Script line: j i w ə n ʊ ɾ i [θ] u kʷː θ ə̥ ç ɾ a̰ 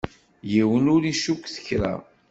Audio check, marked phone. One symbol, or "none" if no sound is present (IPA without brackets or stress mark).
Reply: ʃ